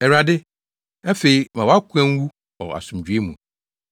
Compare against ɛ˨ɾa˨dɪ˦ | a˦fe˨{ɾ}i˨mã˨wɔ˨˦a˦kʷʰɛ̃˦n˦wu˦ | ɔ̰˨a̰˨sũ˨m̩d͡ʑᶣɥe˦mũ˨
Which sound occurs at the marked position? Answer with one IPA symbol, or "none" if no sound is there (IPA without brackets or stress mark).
none